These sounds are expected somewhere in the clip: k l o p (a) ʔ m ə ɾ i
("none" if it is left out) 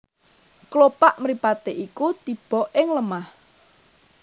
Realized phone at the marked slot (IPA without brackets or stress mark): a